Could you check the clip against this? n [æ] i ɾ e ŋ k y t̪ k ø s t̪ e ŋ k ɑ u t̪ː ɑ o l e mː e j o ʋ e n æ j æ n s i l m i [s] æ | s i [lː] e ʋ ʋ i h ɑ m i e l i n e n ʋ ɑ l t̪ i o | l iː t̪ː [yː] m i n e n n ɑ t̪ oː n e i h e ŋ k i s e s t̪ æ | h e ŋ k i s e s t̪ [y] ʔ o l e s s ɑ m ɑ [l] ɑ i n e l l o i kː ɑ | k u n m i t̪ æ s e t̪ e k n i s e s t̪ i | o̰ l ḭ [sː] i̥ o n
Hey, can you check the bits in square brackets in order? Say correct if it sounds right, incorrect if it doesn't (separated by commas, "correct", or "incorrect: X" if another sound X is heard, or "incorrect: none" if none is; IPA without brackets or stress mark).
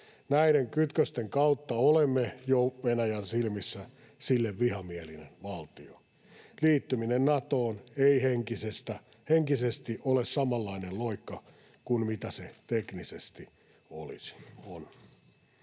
correct, incorrect: sː, correct, incorrect: y, incorrect: i, incorrect: lː, incorrect: s